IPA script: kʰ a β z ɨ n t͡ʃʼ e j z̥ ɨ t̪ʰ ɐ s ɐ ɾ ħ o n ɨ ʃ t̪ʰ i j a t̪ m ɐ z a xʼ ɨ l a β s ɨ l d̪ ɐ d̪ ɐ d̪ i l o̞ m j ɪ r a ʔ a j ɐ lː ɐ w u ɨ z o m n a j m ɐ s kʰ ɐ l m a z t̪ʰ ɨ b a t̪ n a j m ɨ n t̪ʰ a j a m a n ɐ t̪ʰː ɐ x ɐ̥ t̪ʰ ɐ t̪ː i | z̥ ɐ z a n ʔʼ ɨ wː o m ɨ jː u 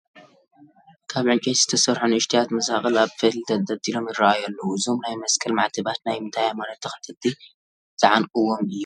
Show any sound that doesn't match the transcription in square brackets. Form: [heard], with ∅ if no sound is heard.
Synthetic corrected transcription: kʰ a β [ʕ] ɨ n t͡ʃʼ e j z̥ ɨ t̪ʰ ɐ s ɐ ɾ ħ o n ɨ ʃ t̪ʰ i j a t̪ m ɐ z a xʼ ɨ l a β [f] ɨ l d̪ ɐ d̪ ɐ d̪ i l o̞ m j ɪ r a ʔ a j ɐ lː ɐ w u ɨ z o m n a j m ɐ s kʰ ɐ l m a [ʕ] t̪ʰ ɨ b a t̪ n a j m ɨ n t̪ʰ a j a m a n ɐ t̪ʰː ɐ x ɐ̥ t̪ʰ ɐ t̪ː i | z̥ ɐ [ʕ] a n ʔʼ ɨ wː o m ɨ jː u